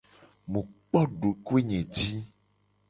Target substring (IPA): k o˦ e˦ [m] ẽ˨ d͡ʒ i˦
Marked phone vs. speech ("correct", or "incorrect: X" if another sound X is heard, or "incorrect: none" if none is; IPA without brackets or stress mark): incorrect: ɲ